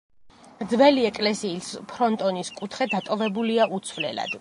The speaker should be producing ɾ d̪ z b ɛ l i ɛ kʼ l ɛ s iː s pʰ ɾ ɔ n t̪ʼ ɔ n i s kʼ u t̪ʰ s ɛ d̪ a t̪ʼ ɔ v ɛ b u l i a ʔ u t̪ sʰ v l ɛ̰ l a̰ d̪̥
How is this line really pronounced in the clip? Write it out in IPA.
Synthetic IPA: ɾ d̪ z v ɛ l i ɛ kʼ l ɛ s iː s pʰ ɾ ɔ n t̪ʼ ɔ n i s kʼ u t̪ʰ χ ɛ d̪ a t̪ʼ ɔ v ɛ b u l i a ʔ u t̪ sʰ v l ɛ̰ l a̰ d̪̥